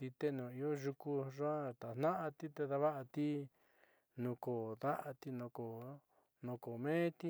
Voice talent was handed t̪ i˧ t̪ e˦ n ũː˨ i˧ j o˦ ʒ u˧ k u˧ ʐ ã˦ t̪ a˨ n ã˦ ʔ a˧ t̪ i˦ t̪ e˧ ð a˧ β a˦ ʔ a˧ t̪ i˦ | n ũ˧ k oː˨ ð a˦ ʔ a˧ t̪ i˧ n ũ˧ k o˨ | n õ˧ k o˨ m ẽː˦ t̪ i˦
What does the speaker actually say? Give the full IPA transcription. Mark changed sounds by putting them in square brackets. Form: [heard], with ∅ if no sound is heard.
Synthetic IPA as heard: t̪ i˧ t̪ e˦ n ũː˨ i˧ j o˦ ʒ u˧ k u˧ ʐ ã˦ t̪ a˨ n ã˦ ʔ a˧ t̪ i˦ t̪ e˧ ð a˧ β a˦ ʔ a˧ t̪ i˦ | n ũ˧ k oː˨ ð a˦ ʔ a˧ t̪ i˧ n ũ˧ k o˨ | n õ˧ k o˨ m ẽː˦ t̪ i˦